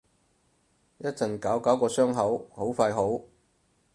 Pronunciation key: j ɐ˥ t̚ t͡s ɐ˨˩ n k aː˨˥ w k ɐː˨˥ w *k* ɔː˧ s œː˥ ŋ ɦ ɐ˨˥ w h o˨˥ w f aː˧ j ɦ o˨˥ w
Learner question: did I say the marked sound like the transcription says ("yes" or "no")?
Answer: yes